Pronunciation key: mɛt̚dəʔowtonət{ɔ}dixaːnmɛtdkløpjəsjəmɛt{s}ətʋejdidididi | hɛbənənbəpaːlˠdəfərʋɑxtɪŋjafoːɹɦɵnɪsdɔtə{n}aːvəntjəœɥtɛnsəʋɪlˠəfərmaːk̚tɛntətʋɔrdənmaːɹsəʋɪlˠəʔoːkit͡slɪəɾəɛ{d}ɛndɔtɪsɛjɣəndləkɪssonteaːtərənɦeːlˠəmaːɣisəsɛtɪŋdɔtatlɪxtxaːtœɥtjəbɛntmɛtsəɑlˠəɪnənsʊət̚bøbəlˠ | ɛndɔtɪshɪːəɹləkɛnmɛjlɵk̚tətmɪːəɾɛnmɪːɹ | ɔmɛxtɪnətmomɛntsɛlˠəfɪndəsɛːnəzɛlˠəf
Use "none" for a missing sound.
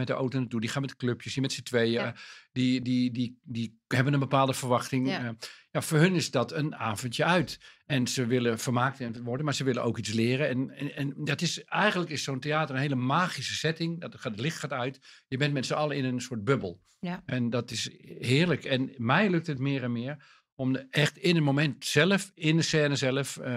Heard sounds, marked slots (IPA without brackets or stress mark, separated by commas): u, s, n, n